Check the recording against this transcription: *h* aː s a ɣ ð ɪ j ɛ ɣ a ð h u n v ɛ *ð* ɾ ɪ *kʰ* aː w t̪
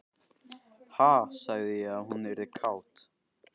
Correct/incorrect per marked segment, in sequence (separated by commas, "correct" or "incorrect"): correct, incorrect, correct